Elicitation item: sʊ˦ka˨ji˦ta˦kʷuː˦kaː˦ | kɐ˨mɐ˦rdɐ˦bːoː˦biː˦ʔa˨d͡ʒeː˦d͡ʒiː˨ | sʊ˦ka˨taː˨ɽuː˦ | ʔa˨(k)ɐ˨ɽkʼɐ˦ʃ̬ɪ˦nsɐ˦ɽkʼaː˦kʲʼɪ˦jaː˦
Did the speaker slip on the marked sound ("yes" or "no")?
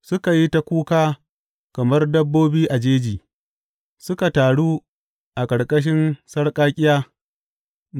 yes